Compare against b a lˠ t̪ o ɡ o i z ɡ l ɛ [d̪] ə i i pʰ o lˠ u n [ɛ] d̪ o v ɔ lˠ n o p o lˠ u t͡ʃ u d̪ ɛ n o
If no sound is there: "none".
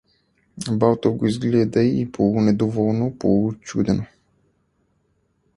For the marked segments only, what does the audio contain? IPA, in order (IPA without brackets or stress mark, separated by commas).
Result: d̪, ɛ